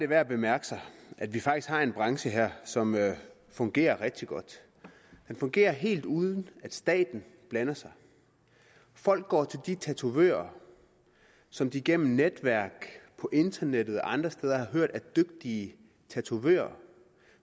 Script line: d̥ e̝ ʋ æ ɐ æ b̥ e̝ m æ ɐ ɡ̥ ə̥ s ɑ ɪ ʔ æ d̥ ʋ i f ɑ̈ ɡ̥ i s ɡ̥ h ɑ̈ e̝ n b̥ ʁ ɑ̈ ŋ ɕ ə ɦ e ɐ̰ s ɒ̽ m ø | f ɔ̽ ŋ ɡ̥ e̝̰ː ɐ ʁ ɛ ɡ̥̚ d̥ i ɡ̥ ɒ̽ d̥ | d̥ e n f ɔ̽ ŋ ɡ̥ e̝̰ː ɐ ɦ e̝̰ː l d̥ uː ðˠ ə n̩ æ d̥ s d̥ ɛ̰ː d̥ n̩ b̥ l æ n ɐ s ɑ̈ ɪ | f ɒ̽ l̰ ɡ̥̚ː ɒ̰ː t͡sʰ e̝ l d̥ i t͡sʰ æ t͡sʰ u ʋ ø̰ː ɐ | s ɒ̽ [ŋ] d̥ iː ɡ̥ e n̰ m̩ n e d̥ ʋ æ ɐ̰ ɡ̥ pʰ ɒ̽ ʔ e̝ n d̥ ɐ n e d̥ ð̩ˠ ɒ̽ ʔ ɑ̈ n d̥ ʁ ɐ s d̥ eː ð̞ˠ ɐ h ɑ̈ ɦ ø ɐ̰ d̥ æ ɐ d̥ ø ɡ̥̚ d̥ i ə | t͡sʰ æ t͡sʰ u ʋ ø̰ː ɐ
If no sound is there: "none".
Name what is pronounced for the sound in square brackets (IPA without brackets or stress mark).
m